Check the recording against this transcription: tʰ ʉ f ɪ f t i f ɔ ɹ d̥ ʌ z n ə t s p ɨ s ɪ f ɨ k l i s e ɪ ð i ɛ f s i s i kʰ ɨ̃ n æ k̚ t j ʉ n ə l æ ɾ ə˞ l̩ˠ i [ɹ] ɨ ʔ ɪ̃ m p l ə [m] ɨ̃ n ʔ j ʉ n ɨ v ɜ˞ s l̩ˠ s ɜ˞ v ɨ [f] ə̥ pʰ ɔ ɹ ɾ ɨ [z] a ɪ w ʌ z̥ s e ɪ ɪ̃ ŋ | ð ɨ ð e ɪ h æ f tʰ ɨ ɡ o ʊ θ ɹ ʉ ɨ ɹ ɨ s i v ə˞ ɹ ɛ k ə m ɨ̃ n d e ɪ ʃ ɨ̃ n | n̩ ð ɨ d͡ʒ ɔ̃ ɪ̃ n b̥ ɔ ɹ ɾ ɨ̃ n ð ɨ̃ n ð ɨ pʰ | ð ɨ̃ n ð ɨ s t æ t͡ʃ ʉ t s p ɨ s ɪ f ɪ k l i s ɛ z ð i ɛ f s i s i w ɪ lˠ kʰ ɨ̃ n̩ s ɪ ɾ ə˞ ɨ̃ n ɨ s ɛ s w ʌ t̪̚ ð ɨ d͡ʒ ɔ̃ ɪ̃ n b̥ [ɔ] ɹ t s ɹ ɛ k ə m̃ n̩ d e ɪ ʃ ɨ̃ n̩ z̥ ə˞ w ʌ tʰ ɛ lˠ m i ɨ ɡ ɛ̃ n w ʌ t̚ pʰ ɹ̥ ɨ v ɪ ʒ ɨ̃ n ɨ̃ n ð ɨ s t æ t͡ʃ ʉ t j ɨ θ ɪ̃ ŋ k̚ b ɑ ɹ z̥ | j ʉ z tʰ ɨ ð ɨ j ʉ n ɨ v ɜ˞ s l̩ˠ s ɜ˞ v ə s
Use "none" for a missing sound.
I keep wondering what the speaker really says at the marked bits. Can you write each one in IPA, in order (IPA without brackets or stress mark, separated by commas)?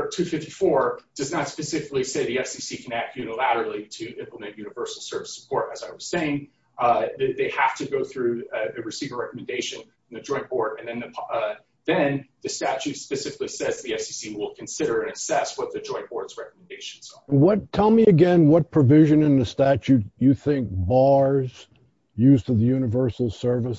ɾ, m, s, z, ɔ